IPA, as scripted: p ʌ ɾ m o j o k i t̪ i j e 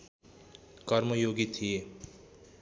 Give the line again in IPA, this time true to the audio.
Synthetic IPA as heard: k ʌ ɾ m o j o ɡ i t̪ʰ i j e